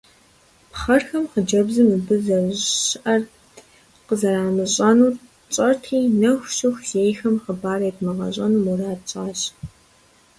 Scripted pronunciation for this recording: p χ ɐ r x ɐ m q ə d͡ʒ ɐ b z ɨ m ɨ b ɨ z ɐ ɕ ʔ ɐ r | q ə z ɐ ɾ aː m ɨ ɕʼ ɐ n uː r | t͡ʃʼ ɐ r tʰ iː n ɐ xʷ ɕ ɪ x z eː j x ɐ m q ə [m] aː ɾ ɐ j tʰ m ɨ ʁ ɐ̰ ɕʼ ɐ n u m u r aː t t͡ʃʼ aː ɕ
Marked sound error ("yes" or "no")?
yes